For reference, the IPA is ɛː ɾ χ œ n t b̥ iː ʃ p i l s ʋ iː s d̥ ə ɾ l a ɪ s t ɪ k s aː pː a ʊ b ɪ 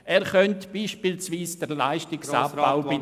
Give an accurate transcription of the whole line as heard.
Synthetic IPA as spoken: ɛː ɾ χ œ n t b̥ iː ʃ p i l s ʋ iː s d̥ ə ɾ l a ɪ ʃ t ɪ k s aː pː a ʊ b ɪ